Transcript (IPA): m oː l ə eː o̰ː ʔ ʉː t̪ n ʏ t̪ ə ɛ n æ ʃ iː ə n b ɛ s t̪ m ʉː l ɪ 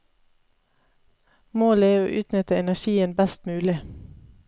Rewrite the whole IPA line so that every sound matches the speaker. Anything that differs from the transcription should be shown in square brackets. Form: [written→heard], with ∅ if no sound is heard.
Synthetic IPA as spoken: m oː l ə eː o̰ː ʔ ʉː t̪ n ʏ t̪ ə ɛ n æ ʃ iː ə n b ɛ s t̪ m ʉː l ɪ